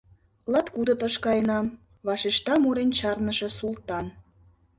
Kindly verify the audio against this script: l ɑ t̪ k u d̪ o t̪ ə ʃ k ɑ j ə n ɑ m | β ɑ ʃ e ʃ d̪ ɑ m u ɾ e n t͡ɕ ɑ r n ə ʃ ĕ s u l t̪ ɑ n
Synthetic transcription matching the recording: l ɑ t̪ k u d̪ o t̪ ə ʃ k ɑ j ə n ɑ m | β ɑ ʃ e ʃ t̪ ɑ m u ɾ e n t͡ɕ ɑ r n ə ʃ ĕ s u l t̪ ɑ n